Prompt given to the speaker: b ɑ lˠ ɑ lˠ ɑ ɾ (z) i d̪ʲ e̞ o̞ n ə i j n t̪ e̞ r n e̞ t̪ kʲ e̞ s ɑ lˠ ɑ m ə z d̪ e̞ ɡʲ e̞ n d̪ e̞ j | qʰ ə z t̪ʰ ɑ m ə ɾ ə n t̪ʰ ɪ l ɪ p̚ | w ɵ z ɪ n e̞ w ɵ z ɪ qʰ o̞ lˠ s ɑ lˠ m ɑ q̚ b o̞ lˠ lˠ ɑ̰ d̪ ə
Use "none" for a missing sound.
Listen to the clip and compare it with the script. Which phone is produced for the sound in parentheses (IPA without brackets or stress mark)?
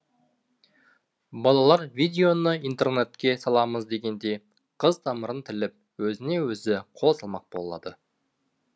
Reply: v